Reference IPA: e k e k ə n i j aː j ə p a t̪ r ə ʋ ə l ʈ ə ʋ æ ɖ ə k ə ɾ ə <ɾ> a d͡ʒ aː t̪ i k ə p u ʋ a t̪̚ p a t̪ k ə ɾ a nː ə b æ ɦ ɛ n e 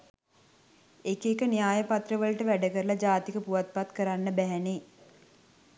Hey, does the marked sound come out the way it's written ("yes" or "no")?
no